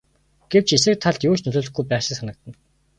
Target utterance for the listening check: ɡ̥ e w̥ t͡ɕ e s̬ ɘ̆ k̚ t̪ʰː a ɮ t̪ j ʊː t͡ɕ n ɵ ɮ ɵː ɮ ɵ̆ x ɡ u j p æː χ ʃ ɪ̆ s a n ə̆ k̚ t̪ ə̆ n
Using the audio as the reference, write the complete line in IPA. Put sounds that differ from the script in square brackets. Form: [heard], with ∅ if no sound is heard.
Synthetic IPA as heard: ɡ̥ e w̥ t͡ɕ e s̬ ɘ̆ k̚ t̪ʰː a ɮ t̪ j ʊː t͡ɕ n ɵ ɮ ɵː ɮ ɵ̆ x ɡ u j p æː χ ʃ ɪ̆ s a n ə̆ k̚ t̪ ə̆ n